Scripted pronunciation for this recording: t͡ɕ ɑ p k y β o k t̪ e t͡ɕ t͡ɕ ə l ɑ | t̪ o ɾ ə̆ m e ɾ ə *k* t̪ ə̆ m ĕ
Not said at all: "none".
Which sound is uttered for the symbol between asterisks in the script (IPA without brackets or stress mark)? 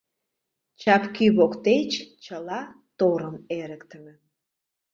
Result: k